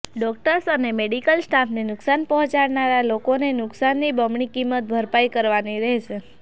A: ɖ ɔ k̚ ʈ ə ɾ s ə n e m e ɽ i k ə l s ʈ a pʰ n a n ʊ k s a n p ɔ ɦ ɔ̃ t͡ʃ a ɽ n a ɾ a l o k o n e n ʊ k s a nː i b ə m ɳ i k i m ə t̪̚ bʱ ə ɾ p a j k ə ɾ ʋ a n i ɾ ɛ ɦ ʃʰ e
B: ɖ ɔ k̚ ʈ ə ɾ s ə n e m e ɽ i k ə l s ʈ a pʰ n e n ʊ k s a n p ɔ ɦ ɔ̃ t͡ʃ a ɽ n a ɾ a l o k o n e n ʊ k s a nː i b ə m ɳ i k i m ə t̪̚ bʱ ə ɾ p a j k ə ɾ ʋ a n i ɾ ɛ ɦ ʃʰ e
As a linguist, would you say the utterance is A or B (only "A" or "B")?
B